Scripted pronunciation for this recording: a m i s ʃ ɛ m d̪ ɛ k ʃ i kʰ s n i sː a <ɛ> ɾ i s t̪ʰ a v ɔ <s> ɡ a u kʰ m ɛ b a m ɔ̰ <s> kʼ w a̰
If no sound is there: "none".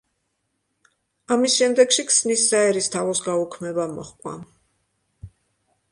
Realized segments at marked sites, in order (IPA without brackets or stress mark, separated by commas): ɛ, s, χ